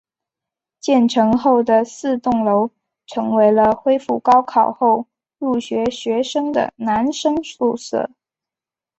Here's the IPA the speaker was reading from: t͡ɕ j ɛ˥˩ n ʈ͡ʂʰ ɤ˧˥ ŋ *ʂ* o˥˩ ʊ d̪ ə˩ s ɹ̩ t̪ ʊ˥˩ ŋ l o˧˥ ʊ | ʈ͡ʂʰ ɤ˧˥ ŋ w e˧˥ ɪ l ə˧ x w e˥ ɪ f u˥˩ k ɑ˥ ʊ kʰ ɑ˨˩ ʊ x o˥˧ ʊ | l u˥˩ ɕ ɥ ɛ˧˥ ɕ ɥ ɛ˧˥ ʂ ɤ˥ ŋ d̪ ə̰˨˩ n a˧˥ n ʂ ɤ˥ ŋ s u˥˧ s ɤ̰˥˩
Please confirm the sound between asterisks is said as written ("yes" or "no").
no